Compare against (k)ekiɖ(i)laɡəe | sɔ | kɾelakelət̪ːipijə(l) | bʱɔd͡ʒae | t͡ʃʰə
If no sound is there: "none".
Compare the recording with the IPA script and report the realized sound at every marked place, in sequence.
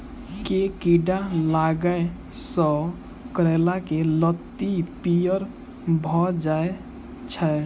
k, a, ɾ

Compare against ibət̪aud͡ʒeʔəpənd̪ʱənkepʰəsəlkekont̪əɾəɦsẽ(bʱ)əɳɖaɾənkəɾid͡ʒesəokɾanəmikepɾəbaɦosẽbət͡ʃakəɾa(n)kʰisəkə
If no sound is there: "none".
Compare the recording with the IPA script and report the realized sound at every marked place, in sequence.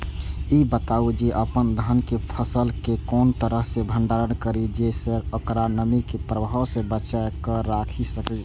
bʱ, none

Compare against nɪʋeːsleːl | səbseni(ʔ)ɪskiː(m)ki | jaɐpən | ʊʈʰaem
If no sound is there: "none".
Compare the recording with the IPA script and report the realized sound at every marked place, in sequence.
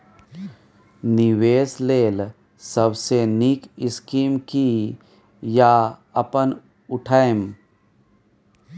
k, m

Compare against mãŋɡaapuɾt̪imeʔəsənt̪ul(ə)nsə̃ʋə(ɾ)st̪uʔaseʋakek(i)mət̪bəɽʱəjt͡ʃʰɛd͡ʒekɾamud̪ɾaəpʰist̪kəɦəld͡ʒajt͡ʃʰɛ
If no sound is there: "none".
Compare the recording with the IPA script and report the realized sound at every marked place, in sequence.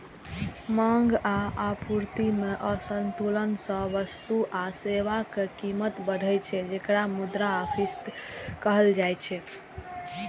ə, none, i

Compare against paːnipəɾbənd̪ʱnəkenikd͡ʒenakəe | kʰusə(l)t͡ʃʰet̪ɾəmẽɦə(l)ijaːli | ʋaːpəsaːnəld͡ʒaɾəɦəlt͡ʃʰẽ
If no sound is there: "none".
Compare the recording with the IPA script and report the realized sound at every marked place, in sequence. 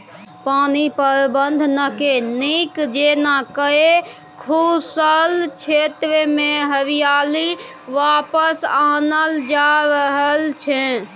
l, ɾ

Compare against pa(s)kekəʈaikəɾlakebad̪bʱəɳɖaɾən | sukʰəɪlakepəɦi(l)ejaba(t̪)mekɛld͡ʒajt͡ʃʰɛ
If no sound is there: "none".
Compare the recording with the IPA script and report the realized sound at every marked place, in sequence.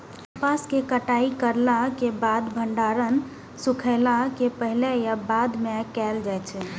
s, l, d̪

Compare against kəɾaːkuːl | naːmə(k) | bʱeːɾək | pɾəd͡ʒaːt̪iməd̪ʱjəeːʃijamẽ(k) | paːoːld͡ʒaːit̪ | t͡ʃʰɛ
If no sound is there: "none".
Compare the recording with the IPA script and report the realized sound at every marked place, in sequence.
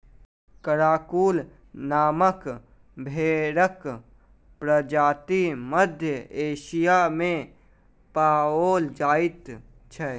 k, none

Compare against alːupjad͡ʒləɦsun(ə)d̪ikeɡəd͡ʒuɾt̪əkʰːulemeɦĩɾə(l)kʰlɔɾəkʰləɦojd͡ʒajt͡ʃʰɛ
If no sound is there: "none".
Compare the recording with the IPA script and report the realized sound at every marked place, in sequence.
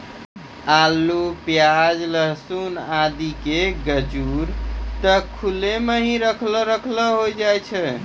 a, none

